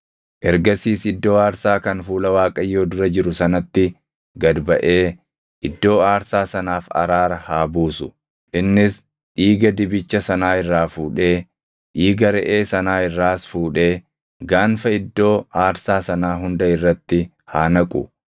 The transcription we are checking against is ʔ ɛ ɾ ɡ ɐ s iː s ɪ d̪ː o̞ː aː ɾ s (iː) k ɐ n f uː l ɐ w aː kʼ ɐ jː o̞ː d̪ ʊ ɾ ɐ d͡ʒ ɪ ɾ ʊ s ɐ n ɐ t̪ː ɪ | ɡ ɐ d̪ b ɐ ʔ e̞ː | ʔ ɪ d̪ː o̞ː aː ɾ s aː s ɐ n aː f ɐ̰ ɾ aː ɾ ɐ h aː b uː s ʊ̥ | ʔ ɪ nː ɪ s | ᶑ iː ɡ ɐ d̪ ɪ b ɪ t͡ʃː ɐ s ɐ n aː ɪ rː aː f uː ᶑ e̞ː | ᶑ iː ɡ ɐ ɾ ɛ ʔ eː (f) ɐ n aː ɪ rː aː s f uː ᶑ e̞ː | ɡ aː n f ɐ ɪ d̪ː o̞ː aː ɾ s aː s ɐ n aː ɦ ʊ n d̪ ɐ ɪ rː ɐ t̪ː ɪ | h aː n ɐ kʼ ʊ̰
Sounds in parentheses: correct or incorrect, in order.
incorrect, incorrect

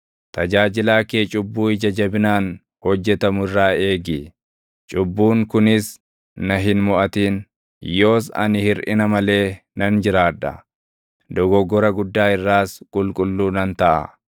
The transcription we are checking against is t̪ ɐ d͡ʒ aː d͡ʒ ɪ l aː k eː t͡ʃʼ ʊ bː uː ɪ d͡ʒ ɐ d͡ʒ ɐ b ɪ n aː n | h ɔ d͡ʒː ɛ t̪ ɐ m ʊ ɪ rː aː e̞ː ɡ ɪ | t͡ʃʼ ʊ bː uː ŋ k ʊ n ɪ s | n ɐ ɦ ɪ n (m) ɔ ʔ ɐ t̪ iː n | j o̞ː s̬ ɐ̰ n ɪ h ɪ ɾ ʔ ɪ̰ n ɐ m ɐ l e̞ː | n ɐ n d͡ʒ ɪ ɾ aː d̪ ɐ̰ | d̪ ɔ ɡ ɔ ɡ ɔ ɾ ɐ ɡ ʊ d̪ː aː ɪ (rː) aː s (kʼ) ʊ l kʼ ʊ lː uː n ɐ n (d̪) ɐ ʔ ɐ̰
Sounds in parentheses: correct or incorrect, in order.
correct, correct, correct, incorrect

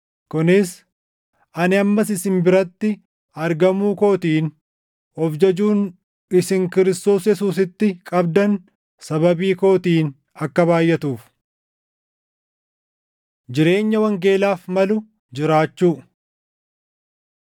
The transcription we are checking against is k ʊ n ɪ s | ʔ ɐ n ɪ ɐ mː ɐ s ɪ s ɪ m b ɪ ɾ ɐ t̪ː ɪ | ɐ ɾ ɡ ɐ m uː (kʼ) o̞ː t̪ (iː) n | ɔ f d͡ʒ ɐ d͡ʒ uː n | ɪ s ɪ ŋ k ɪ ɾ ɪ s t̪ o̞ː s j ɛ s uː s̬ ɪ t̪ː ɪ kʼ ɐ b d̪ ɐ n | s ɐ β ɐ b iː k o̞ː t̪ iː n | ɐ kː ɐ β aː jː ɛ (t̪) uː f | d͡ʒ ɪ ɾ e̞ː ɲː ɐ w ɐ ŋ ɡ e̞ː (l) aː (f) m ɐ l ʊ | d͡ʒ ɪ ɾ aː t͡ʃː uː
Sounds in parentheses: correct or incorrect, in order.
incorrect, correct, correct, correct, correct

